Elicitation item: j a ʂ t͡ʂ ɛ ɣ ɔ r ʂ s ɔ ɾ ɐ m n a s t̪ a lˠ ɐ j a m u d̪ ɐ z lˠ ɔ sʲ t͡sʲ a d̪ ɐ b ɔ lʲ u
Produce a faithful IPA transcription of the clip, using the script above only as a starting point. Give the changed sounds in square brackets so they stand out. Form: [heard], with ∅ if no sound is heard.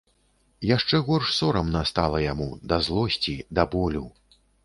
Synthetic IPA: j a ʂ t͡ʂ ɛ ɣ ɔ r ʂ s ɔ ɾ ɐ m n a s t̪ a lˠ ɐ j a m u d̪ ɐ z lˠ ɔ sʲ t͡sʲ [i] d̪ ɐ b ɔ lʲ u